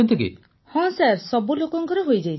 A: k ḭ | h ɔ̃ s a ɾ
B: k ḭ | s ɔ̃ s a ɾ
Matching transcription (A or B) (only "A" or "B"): A